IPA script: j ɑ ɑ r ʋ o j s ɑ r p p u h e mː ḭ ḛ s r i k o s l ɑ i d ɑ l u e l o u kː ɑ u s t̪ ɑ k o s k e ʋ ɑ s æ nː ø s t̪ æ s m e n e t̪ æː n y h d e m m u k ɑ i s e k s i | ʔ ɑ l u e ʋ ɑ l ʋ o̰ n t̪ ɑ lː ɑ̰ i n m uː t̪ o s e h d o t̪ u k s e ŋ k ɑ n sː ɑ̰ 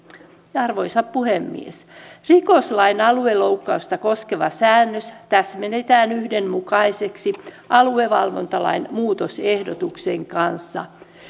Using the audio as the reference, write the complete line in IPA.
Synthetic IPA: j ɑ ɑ r ʋ o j s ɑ p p u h e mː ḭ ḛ s r i k o s l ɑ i n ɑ l u e l o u kː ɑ u s t̪ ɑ k o s k e ʋ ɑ s æː nː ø s t̪ æ s m e n e t̪ æː n y h d e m m u k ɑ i s e k s i | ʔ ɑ l u e ʋ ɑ l ʋ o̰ n t̪ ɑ l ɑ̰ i n m uː t̪ o s e h d o t̪ u k s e ŋ k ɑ n sː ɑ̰

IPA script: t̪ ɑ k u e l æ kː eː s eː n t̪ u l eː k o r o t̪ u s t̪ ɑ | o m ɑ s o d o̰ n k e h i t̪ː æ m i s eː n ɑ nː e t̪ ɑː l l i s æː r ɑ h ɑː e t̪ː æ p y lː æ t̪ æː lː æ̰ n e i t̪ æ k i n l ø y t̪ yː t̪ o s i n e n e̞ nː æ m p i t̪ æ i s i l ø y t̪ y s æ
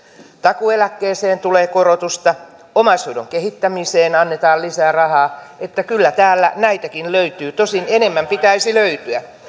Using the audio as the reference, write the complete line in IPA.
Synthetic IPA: t̪ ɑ k u e l æ kː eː s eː n t̪ u l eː k o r o t̪ u s t̪ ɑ | o m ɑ s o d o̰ ŋ k e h i t̪ː æ m i s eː n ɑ nː e t̪ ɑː l l i s æː r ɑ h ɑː e t̪ː æ k y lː æ t̪ æː lː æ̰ n æ i t̪ æ k i n l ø y t̪ yː t̪ o s i n e n e̞ mː æ m p i t̪ æ i s i l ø y t̪ y æ

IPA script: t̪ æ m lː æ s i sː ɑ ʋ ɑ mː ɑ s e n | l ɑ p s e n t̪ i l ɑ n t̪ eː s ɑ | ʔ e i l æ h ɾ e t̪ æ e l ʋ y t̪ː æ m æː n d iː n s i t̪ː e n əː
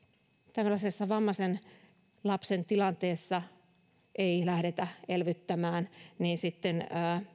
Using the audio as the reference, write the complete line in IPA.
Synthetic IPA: t̪ æ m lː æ s e sː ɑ ʋ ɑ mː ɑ s e n | l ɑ p s e n t̪ i l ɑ n t̪ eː sː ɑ | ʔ e i l æ h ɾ e t̪ æ e l ʋ y t̪ː æ m æː n n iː n s i t̪ː e n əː

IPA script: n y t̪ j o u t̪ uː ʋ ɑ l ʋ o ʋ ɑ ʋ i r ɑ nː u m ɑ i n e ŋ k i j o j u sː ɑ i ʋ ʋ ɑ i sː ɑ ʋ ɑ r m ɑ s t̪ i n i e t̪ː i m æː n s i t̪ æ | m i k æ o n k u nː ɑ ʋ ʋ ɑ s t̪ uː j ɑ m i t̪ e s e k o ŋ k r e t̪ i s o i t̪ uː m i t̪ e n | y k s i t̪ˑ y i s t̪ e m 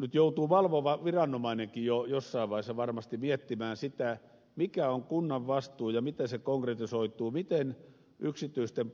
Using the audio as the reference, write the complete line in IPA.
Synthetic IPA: n y t̪ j o u t̪ uː ʋ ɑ l ʋ o ʋ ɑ ʋ i r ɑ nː o m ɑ i n e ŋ k i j o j o sː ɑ i ʋ ʋ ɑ i sː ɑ ʋ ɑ r m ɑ s t̪ i m i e t̪ː i m æː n s i t̪ æ | m i k æ o ŋ k u nː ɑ ʋ ʋ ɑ s t̪ uː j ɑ m i t̪ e s e k o ŋ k r e t̪ i s o i t̪ uː m i t̪ e n | y k s i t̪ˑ y i s t̪ e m

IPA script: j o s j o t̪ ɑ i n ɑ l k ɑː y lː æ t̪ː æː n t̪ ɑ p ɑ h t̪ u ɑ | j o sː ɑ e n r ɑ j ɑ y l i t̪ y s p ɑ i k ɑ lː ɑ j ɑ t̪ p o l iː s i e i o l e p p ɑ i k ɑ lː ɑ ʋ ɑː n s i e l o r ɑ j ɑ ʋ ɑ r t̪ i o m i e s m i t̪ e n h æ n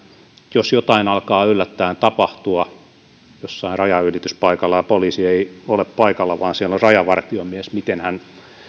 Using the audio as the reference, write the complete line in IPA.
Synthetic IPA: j o s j o t̪ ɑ i n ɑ l k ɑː y lː æ t̪ː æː n t̪ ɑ p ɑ h t̪ u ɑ | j o sː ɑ i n r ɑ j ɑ y l i t̪ y s p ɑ i k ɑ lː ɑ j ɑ p o l iː s i e i o l e p p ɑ i k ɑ lː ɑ ʋ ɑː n s i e l o r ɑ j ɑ ʋ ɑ r t̪ i o m i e s m i t̪ e n h æ n

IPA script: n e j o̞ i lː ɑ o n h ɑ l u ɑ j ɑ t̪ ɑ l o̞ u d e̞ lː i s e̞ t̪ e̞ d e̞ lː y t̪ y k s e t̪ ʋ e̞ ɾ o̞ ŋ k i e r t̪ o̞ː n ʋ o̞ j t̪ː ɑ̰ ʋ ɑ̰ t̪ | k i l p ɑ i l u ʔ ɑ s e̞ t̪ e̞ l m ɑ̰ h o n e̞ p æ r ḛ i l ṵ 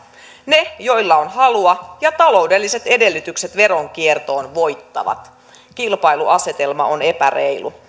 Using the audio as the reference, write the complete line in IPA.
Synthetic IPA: n e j o̞ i lː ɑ o n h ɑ l u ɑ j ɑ t̪ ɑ l o̞ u d e̞ lː i s e̞ t̪ e̞ d e̞ lː y t̪ y k s e t̪ ʋ e̞ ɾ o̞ ŋ k i e r t̪ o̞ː n ʋ o̞ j t̪ː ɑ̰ ʋ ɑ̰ t̪ | k i l p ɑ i l u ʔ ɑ s e̞ t̪ e̞ l m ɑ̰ o n e̞ p æ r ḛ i l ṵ

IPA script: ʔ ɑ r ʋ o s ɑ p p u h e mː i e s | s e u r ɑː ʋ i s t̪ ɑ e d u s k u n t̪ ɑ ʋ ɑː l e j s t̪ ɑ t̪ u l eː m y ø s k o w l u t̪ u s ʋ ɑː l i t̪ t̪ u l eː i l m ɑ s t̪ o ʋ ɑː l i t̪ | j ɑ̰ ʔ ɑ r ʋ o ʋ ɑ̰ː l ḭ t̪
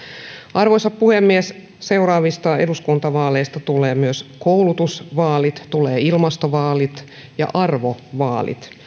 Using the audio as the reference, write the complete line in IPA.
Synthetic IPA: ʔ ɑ r ʋ o s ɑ p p u h e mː i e s | s e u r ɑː ʋ i s t̪ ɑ e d u s k u n t̪ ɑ ʋ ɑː l e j s t̪ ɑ t̪ u l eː m y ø s k o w l u t̪ u s ʋ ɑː l i t̪ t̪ u l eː i l m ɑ s t̪ o ʋ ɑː l i t̪ | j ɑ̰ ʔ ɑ r ʋ o ʋ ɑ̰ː l ḭ t̪

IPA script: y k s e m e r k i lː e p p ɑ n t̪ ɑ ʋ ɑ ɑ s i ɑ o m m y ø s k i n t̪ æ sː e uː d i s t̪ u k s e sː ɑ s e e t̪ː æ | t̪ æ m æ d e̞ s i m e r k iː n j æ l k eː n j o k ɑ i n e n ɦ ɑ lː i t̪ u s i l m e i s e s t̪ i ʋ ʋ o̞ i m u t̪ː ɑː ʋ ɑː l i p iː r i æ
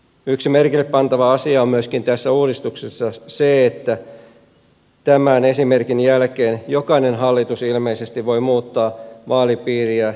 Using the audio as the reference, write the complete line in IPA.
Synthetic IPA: y k s i m e r k i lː e p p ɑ n t̪ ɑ ʋ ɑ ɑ s i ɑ o m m y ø s k i n t̪ æ sː æ uː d i s t̪ u k s e sː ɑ s e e t̪ː æ | t̪ æ m æ n e̞ s i m e r k i n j æ l k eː n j o k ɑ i n e n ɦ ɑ lː i t̪ u s i l m e i s e s t̪ i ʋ ʋ o̞ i m uː t̪ː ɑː ʋ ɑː l i p iː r i æ

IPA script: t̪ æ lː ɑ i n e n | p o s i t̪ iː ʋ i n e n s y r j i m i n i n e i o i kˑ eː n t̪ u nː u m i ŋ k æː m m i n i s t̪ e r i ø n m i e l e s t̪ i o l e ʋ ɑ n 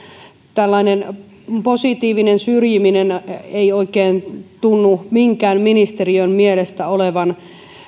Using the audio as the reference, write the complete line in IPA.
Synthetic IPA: t̪ æ lː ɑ i n e n | p o s i t̪ iː ʋ i n e n s y r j i m i n e n e i o i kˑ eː n t̪ u nː u m i ŋ k æː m m i n i s t̪ e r i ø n m i e l e s t̪ æ o l e ʋ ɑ n

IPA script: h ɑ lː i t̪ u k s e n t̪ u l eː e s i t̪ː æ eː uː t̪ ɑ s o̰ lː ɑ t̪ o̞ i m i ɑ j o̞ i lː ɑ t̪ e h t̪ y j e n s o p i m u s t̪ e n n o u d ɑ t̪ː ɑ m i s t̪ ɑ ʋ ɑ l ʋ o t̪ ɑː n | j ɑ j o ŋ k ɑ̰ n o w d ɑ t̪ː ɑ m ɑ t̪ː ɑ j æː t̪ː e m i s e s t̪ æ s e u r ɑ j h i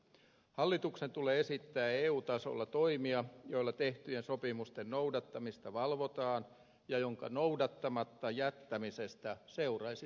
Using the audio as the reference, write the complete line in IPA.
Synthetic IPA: h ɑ lː i t̪ u k s e n t̪ u l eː e s i t̪ː æː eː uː t̪ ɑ s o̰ lː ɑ t̪ o̞ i m i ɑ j o̞ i lː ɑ t̪ e h t̪ y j e n s o p i m u s t̪ e n n o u d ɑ t̪ː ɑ m i s t̪ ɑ ʋ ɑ l ʋ o t̪ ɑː n | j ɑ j o ŋ k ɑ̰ n o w d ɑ t̪ː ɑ m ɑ t̪ː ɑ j æ t̪ː æ m i s e s t̪ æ s e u r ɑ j s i

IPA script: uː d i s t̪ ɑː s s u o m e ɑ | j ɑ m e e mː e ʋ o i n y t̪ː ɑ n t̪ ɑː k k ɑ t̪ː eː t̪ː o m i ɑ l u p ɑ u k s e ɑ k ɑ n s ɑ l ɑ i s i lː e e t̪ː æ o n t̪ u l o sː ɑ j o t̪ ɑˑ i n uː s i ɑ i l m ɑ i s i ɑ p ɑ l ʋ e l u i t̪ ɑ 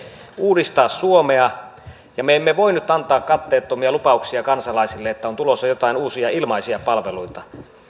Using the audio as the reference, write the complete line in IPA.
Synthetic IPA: uː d i s t̪ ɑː s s u o m e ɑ | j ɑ m e e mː e ʋ o i n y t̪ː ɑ n t̪ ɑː k k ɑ t̪ː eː t̪ː o m i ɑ l u p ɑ u k s i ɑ k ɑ n s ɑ l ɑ i s i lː e e t̪ː æ o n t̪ u l o sː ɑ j o t̪ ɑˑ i n uː s i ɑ i l m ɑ i s i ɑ p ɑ l ʋ e l u i t̪ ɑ

